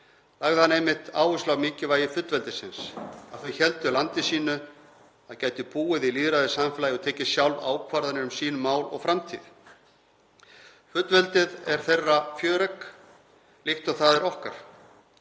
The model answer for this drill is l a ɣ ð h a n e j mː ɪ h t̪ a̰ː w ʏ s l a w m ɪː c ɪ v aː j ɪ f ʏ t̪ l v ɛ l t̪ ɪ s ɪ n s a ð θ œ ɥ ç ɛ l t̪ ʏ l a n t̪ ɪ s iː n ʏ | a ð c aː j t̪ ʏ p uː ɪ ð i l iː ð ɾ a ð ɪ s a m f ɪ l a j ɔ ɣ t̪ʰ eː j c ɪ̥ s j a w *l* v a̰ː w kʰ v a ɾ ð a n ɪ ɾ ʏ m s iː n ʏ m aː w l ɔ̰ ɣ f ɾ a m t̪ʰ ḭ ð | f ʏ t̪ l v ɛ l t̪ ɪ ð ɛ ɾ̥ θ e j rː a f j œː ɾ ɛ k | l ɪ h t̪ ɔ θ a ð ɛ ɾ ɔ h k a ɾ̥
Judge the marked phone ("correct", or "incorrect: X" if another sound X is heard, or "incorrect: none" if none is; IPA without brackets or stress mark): correct